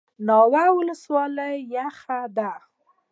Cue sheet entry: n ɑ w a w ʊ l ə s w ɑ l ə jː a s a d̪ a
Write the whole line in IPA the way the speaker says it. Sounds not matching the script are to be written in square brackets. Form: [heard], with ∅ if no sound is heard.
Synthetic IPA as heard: n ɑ w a w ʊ l ə s w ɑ l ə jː a [x] a d̪ a